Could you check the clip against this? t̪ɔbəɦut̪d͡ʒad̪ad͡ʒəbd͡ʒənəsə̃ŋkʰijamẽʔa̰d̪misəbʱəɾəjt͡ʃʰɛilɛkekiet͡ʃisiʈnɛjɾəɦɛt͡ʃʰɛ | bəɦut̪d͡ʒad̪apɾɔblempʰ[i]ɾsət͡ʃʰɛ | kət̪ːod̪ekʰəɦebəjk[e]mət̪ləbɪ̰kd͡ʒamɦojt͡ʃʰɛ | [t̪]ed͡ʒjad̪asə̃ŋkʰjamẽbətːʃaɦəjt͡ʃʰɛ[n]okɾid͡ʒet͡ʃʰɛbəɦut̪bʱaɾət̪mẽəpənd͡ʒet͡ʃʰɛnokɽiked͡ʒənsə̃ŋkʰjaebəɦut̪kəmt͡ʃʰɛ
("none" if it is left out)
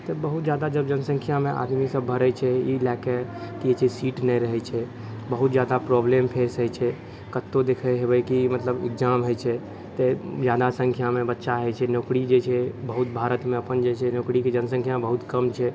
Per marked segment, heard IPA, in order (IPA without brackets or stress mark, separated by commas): e, i, t̪, n